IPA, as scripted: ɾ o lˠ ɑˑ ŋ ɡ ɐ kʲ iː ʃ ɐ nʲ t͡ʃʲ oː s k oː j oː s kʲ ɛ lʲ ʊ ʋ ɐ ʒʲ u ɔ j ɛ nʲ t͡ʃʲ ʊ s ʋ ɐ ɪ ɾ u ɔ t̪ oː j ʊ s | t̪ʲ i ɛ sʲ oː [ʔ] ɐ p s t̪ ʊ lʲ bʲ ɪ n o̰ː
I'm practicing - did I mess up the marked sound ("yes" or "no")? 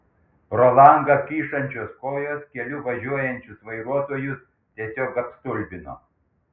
yes